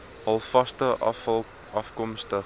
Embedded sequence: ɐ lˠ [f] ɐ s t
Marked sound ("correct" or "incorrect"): correct